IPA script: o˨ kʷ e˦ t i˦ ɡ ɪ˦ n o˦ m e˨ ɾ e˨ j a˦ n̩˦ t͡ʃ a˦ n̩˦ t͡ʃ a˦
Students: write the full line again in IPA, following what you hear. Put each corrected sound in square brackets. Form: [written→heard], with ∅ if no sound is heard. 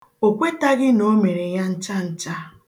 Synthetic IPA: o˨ kʷ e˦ t [i˦→a˦] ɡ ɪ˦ n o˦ m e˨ ɾ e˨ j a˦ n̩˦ t͡ʃ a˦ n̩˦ t͡ʃ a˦